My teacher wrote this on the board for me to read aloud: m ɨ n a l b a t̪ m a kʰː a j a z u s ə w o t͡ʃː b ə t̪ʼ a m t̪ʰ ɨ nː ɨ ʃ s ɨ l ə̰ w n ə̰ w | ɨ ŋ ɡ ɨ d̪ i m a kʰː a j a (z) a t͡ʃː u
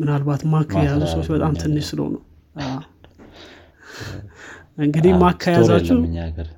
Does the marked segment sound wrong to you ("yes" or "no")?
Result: no